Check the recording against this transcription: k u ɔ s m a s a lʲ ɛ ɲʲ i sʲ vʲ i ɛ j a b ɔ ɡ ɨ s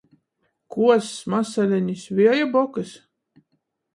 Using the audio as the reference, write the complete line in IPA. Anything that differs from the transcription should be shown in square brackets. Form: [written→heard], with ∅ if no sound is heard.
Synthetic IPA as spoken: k u ɔ s m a s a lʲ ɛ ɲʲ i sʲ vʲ i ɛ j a b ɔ [ɡ→k] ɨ s

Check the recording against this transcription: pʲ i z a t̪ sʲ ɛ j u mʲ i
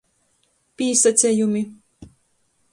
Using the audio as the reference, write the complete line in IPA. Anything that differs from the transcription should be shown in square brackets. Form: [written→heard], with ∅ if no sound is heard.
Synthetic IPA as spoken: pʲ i [z→s] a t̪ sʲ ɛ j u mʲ i

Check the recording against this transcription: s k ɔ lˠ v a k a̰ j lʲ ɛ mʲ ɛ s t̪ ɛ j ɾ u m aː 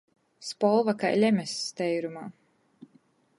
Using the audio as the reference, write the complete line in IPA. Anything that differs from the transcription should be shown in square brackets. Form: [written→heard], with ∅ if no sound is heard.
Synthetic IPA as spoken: s [k→p] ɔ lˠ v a k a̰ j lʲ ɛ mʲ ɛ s t̪ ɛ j ɾ u m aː

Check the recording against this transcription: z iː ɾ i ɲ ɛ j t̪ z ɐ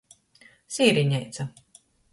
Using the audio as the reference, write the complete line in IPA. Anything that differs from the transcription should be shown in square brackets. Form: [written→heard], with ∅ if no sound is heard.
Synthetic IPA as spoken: [z→s] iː ɾ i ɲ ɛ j t̪ [z→s] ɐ

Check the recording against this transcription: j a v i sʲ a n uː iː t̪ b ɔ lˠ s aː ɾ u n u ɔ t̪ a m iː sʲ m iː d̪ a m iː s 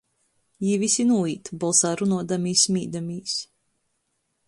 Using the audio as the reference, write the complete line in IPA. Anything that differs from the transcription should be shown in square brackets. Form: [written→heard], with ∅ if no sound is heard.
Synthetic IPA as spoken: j [a→i] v i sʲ [a→i] n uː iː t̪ b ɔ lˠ s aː ɾ u n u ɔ [t̪→d̪] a m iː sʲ m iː d̪ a m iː s

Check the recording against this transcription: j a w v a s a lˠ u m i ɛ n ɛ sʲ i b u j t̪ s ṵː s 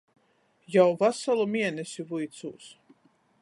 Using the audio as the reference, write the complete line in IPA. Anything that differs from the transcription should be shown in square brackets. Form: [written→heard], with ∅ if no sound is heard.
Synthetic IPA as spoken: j a w v a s a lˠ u m i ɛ n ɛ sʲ i [b→v] u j t̪ s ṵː s

